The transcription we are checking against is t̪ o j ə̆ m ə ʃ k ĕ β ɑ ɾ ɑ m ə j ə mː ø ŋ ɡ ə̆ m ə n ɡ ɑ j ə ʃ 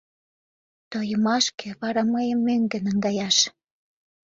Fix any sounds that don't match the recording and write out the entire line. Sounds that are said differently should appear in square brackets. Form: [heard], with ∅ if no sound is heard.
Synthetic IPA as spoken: t̪ o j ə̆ m [ɑ] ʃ k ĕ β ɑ ɾ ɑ m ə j ə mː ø ŋ ɡ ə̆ [n] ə [ŋ] ɡ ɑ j [ɑ] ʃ